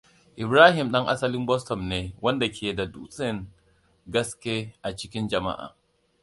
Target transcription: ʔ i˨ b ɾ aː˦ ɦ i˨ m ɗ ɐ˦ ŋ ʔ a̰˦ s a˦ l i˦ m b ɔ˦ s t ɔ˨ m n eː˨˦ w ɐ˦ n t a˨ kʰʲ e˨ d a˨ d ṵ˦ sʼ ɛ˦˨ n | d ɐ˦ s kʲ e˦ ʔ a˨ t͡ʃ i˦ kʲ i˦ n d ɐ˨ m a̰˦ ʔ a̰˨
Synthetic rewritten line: ʔ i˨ b ɾ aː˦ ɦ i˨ m ɗ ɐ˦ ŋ ʔ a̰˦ s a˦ l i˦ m b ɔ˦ s t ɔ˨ m n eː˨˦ w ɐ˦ n d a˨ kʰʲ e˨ d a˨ d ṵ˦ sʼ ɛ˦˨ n | ɡ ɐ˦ s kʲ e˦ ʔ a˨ t͡ʃ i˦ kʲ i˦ n d͡ʒ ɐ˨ m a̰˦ ʔ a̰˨